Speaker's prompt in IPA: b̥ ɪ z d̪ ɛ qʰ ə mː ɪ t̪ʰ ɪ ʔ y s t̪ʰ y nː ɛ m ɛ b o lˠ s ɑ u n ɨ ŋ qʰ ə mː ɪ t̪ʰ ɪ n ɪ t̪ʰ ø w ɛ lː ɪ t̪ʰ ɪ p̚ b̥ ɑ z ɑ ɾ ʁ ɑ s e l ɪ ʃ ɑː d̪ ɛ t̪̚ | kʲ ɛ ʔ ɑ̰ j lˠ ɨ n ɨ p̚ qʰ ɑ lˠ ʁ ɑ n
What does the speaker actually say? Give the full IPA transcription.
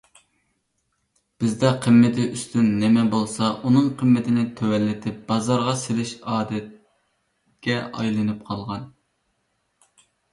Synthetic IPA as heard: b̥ ɪ z d̪ ɛ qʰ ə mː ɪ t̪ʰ ɪ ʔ y s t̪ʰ y nː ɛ m ɛ b o lˠ s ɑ u n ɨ ŋ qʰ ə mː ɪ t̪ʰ ɪ n ɪ t̪ʰ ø w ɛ lː ɪ t̪ʰ ɪ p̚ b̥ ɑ z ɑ ɾ ʁ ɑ s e l ɪ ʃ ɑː d̪ ɛ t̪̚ | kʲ ɛ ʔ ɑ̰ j lˠ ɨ n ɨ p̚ qʰ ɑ lˠ ʁ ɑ n

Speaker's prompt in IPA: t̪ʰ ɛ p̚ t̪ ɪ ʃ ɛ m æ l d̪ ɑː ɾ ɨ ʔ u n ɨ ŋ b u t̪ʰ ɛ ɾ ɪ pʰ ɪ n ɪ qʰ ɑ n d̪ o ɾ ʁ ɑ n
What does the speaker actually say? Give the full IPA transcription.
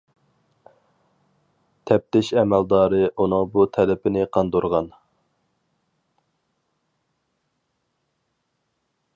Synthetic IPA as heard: t̪ʰ ɛ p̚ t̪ ɪ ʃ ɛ m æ l d̪ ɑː ɾ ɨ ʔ u n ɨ ŋ b u t̪ʰ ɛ l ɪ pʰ ɪ n ɪ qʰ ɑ n d̪ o ɾ ʁ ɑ n

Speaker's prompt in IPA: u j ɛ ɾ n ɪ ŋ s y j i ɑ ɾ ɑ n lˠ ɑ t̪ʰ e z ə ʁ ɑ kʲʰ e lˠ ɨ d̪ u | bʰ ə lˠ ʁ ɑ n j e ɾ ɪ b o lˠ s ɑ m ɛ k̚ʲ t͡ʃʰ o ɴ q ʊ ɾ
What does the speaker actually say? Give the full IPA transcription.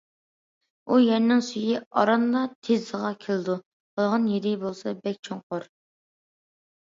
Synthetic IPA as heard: u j ɛ ɾ n ɪ ŋ s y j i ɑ ɾ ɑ n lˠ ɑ t̪ʰ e z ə ʁ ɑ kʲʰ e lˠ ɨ d̪ u | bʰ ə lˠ ʁ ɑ n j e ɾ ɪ b o lˠ s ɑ b ɛ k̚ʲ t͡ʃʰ o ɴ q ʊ ɾ

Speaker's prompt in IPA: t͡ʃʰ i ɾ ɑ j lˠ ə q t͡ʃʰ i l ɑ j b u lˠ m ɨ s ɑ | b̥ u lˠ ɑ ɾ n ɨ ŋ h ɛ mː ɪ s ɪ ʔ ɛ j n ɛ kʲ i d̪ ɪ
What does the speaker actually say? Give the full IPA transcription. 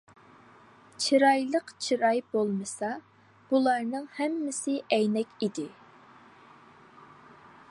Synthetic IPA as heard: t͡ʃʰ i ɾ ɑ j lˠ ə q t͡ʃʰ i ɾ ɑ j b o lˠ m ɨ s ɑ | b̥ u lˠ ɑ ɾ n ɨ ŋ h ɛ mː ɪ s ɪ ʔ ɛ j n ɛ kʲ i d̪ ɪ

